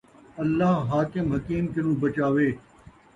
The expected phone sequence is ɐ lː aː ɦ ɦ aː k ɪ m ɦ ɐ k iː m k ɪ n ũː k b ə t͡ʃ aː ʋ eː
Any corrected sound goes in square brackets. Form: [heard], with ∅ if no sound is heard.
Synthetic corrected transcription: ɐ lː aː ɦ ɦ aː k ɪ m ɦ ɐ k iː m k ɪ n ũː [∅] b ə t͡ʃ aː ʋ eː